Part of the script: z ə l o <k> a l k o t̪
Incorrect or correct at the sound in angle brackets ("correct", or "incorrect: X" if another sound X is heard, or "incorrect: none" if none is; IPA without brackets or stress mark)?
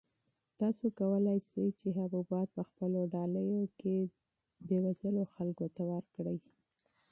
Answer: incorrect: x